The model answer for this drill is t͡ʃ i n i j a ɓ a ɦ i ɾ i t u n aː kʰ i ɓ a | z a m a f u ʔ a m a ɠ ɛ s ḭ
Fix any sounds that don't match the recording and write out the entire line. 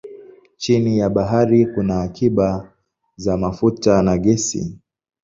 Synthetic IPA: t͡ʃ i n i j a ɓ a ɦ a ɾ i k u n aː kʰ i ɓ a | z a m a f u t a n a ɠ ɛ s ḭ